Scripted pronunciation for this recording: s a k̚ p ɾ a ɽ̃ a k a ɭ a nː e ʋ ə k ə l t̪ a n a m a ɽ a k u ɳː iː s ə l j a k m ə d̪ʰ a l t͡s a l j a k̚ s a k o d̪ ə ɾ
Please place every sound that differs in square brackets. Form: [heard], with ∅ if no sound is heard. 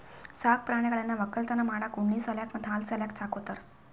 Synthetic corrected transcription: s a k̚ p ɾ a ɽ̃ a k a ɭ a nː [a] ʋ ə k ə l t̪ a n a m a ɽ a k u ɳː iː s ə l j a k m ə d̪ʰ a l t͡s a l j a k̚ [t͡s] a k o [t̪] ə ɾ